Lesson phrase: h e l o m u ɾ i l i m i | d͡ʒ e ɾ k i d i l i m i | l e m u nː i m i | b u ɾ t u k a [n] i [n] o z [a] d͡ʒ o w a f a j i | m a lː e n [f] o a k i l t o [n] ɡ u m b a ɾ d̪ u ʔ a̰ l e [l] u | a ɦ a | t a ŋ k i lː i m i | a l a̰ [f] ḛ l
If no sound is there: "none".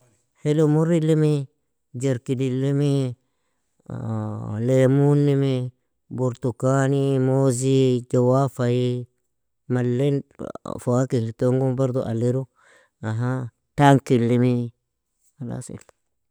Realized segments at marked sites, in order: n, m, i, f, ŋ, ɾ, s

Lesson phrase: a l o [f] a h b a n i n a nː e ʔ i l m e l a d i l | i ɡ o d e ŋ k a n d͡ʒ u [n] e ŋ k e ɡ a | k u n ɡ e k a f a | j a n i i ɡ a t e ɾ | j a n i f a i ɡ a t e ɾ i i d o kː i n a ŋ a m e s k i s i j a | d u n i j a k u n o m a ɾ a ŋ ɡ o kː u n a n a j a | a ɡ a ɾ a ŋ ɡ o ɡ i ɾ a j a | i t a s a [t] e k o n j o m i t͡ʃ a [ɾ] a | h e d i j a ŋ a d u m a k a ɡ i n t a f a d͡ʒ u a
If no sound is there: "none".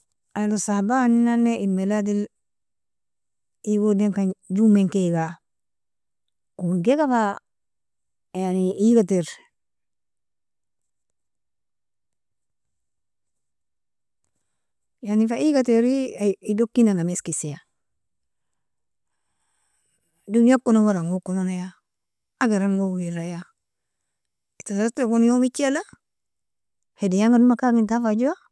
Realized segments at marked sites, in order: s, m, t, l

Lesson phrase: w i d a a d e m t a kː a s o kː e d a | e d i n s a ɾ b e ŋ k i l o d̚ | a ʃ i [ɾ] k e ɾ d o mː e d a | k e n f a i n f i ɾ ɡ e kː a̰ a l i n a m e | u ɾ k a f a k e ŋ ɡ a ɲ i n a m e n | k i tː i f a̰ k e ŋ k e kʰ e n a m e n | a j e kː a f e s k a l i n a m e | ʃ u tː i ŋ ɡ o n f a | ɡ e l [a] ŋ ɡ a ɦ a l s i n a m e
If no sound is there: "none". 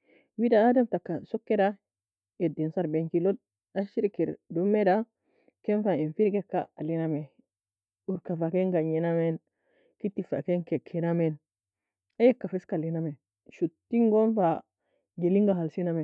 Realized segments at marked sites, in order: ɾ, i

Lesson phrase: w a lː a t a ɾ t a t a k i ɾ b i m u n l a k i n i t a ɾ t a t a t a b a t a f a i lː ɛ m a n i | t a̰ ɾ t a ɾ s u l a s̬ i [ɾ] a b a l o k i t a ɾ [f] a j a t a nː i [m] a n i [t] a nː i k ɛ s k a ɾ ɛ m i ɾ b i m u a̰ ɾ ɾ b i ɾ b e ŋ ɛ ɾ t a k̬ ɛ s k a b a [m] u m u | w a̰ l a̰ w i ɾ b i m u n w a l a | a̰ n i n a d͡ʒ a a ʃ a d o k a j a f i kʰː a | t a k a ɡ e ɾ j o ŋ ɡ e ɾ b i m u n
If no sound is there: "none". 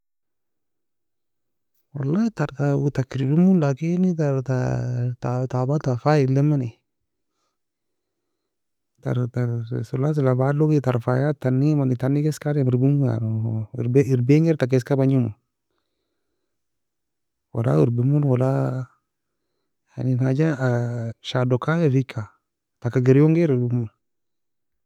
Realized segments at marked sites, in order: l, f, m, t, ɲ

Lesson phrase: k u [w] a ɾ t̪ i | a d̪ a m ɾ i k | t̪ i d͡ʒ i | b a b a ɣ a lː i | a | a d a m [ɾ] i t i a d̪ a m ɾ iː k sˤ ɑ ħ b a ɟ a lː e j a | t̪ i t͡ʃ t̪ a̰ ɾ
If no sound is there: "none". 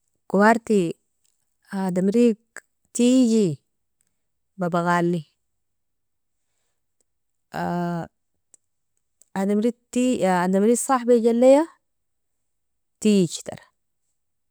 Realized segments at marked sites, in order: w, ɾ

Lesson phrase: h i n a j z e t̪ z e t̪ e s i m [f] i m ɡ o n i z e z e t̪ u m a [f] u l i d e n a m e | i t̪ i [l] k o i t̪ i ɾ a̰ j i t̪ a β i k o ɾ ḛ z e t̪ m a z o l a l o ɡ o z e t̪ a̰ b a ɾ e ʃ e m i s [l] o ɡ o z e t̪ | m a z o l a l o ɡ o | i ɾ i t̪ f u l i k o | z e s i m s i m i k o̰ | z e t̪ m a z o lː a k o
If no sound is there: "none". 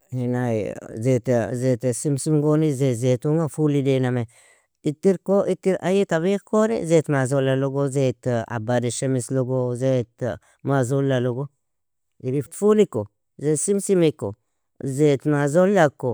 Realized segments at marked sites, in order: s, f, ɾ, l

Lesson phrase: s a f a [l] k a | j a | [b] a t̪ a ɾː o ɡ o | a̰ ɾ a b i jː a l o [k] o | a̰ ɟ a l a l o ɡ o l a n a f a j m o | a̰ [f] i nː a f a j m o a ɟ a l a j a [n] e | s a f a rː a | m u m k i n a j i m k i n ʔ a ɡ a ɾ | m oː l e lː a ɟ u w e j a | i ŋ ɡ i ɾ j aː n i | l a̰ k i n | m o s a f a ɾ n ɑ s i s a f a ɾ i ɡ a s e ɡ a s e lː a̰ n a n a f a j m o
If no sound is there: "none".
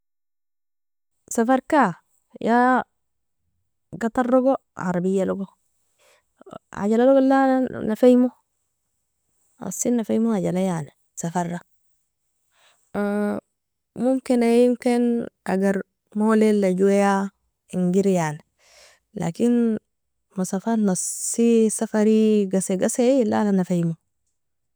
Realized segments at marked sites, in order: ɾ, ɡ, ɡ, s, n

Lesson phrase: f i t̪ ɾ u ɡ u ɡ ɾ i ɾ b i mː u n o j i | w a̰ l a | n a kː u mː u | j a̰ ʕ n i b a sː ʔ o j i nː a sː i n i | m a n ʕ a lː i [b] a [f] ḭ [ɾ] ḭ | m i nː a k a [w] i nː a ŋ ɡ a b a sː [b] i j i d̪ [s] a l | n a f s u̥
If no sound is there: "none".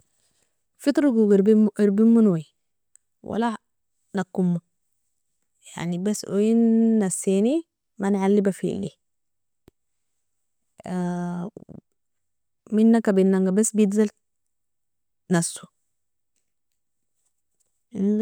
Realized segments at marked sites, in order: b, f, l, b, b, z

